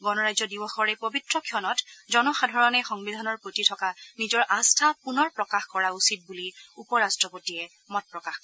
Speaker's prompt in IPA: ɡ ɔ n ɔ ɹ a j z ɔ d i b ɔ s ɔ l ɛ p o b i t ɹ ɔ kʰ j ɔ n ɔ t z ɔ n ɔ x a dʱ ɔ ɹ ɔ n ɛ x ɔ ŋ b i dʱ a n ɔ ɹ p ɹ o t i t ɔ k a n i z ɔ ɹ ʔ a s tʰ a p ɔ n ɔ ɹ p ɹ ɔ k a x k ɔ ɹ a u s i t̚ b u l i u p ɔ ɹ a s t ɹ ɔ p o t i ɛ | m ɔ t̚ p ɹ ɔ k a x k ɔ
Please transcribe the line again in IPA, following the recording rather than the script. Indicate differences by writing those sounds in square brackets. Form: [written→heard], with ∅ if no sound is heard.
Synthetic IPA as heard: ɡ ɔ n ɔ ɹ a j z ɔ d i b ɔ [s→x] ɔ [l→ɹ] ɛ p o b i t ɹ ɔ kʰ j ɔ n ɔ t z ɔ n ɔ x a dʱ ɔ ɹ ɔ n ɛ x ɔ ŋ b i dʱ a n ɔ ɹ p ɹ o t i [t→tʰ] ɔ k a n i z ɔ ɹ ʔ a s tʰ a p [ɔ→u] n ɔ ɹ p ɹ ɔ k a x k ɔ ɹ a u s i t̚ b u l i u p ɔ ɹ a s t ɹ ɔ p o t i ɛ | m ɔ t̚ p ɹ ɔ k a x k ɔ

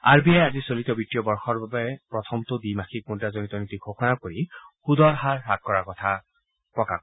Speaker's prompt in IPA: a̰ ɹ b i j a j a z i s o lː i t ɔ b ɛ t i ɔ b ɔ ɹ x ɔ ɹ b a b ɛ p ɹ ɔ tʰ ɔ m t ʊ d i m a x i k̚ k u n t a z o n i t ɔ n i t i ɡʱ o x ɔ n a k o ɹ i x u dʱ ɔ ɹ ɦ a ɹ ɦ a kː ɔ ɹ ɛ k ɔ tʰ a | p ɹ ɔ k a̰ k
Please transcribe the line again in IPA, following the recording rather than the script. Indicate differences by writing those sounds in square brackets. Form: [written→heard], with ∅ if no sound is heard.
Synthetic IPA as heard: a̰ ɹ b i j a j a z i s o [lː→l] i t ɔ b [ɛ→i] t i ɔ b ɔ ɹ x ɔ ɹ b a b ɛ p ɹ ɔ tʰ ɔ m t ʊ d i m a x i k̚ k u n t a z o n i t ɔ n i t i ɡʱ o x ɔ n a k o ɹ i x u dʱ ɔ ɹ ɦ a ɹ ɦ a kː ɔ ɹ [ɛ→a] k ɔ tʰ a | p ɹ ɔ k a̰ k

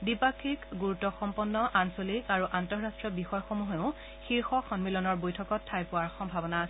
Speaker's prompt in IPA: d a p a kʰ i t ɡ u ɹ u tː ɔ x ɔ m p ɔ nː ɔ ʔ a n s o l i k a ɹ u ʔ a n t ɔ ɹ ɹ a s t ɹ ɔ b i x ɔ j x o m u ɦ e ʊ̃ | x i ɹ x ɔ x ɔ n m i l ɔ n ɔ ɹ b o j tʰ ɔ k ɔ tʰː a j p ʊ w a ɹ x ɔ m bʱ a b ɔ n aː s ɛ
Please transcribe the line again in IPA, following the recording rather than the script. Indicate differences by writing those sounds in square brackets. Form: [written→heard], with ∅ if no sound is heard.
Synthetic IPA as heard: d [a→i] p a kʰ i [t→k] ɡ u ɹ u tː ɔ x ɔ m p ɔ nː ɔ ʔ a n s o l i k a ɹ u ʔ a n t ɔ ɹ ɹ a s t ɹ ɔ b i x ɔ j x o m u ɦ e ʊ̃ | x i ɹ x ɔ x ɔ n m i l ɔ n ɔ ɹ b o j tʰ ɔ k ɔ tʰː a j p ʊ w a ɹ x ɔ m bʱ a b ɔ n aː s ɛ

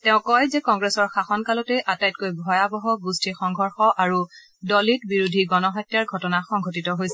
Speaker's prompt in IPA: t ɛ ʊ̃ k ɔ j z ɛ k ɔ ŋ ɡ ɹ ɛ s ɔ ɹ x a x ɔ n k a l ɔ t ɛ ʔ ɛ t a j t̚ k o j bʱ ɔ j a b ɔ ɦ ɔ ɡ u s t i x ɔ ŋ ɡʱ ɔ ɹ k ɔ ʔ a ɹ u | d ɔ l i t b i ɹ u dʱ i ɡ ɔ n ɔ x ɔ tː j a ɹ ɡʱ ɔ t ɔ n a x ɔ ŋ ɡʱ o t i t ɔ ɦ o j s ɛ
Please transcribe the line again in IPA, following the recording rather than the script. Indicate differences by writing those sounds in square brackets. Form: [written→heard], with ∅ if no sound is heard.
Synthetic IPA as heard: t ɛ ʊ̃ k ɔ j z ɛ k ɔ ŋ ɡ ɹ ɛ s ɔ ɹ x a x ɔ n k a l ɔ t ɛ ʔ [ɛ→a] t a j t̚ k o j bʱ ɔ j a b ɔ ɦ ɔ ɡ u s t i x ɔ ŋ ɡʱ ɔ ɹ [k→x] ɔ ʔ a ɹ u | d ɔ l i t b i ɹ u dʱ i ɡ ɔ n ɔ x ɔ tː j a ɹ ɡʱ ɔ t ɔ n a x ɔ ŋ ɡʱ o t i t ɔ ɦ o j s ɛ

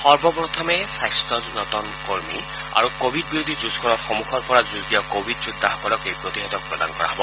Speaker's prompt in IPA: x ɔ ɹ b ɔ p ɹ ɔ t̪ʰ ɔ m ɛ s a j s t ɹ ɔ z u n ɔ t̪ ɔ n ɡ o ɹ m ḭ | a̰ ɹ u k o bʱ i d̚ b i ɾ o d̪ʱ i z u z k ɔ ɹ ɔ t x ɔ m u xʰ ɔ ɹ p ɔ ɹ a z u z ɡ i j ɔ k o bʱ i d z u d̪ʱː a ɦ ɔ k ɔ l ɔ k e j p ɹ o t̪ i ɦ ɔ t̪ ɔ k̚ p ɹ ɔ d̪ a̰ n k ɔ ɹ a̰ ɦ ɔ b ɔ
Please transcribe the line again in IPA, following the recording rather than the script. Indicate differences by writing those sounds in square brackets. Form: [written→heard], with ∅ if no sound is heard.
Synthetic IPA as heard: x ɔ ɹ b ɔ p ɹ ɔ t̪ʰ ɔ m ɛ s a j s t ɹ ɔ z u n ɔ t̪ ɔ n [ɡ→k] o ɹ m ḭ | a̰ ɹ u k o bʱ i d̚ b i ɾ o d̪ʱ i z u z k ɔ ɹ ɔ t x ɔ m u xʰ ɔ ɹ p ɔ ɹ a z u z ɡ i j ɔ k o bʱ i d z u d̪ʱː a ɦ ɔ k ɔ l ɔ k e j p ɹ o t̪ i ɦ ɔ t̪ ɔ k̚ p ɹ ɔ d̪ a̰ n k ɔ ɹ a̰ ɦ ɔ b ɔ

